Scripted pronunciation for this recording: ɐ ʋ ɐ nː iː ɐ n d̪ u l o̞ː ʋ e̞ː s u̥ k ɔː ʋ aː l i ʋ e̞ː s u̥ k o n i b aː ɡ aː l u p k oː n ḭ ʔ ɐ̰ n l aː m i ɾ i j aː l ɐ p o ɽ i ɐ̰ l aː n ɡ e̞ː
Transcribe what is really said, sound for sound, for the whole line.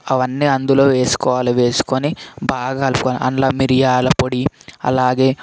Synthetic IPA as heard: ɐ ʋ ɐ nː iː ɐ n d̪ u l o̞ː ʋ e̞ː s u̥ k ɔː ʋ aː l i ʋ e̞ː s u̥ k o n i b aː ɡ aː l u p k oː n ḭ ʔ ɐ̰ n l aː m i ɾ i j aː l ɐ p o ɽ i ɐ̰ l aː ɡ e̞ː